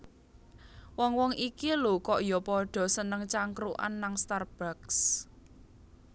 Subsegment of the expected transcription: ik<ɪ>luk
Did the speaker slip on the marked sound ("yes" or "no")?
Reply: yes